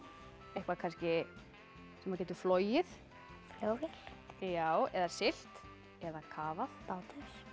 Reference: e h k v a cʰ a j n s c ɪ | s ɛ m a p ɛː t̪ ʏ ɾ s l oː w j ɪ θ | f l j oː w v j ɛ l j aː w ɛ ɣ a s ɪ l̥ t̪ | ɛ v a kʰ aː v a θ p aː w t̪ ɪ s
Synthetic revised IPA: e h k v a kʰ a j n s c ɪ | s ɛ m a c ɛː t̪ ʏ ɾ f l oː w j ɪ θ | f l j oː w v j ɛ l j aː w ɛ ð a s ɪ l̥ t̪ | ɛ ð a kʰ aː v a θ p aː w t̪ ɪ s